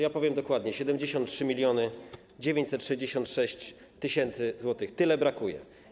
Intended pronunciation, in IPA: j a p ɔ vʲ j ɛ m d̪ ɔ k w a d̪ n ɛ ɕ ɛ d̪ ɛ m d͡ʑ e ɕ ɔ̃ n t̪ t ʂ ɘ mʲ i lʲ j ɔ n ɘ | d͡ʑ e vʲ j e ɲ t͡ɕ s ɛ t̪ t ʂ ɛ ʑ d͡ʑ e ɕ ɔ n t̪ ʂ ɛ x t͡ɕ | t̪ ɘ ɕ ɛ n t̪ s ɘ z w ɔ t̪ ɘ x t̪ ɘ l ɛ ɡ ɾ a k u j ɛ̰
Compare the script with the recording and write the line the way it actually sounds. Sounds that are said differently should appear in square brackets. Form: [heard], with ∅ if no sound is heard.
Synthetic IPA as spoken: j a p ɔ vʲ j ɛ m d̪ ɔ k w a d̪ [ɲ] ɛ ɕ ɛ d̪ ɛ m d͡ʑ e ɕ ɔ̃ n t̪ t ʂ ɘ mʲ i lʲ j ɔ n ɘ | d͡ʑ e vʲ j e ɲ t͡ɕ s ɛ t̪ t ʂ ɛ ʑ d͡ʑ e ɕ ɔ n t̪ ʂ ɛ [ɕ] t͡ɕ | t̪ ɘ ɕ ɛ n t̪ s ɘ z w ɔ t̪ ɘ x t̪ ɘ l ɛ [b] ɾ a k u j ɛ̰